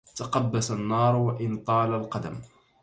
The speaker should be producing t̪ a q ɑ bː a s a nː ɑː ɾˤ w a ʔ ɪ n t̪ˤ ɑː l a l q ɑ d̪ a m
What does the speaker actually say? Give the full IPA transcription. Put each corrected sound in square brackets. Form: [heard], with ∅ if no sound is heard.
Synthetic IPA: t̪ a q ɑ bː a s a nː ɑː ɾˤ w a ʔ ɪ n t̪ˤ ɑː l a l q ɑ d̪ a m

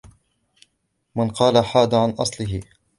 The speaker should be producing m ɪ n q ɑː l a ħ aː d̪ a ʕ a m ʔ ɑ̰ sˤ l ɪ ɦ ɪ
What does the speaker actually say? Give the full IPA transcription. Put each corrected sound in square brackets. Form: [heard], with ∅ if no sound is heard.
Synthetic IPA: m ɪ n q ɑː l a ħ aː d̪ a ʕ a [n] ʔ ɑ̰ sˤ l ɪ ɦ ɪ

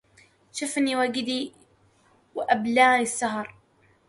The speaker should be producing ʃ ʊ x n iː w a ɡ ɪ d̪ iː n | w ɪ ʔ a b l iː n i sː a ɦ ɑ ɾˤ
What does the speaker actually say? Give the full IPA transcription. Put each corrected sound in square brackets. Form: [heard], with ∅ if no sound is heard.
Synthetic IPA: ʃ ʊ [f] n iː w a ɡ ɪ d̪ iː [∅] | w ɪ ʔ a b l [aː] n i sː a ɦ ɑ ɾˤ

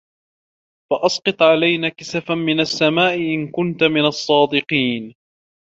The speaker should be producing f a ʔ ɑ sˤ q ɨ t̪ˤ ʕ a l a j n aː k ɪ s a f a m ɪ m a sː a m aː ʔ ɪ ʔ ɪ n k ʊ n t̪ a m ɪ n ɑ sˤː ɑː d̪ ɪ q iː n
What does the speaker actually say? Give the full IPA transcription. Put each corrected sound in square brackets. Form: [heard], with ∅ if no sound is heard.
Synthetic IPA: f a ʔ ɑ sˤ q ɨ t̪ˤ ʕ a l a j n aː k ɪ s a f a m ɪ [n] a sː a m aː ʔ ɪ ʔ ɪ n k ʊ n t̪ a m ɪ n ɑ sˤː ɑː d̪ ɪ q iː n

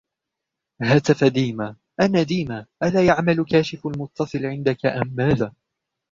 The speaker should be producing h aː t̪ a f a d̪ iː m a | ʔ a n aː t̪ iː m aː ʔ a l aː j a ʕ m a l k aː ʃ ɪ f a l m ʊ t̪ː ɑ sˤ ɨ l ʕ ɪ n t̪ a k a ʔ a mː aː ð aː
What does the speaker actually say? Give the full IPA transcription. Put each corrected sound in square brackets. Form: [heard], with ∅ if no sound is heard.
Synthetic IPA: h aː t̪ a f a d̪ iː m a | ʔ a n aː [d̪] iː m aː ʔ a l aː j a ʕ m a l k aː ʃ ɪ f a l m ʊ t̪ː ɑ sˤ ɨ l ʕ ɪ n [d̪] a k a ʔ a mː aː ð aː

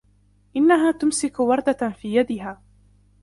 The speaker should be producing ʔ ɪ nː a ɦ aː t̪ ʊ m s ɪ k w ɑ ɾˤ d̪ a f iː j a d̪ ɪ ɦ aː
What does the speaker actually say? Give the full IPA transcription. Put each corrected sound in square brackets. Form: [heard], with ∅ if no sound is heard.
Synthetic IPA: ʔ ɪ nː a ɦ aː t̪ ʊ m s ɪ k w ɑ ɾˤ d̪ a f iː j a d̪ ɪ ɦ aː

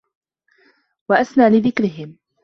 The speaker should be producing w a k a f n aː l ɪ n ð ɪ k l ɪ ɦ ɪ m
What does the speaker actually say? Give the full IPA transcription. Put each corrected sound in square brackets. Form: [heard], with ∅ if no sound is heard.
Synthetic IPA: w a [ʔ] a [s] n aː l ɪ [∅] ð ɪ k [ɾ] ɪ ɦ ɪ m

